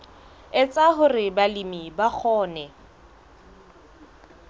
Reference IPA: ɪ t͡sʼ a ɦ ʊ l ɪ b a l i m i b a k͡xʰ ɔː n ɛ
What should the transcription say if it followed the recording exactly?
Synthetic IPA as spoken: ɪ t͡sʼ a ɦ ʊ r ɪ b a l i m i b a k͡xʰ ɔː n ɛ